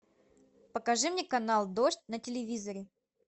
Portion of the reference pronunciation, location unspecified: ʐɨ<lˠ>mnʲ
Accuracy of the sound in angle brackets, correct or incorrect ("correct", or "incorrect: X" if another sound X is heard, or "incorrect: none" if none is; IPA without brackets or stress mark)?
incorrect: none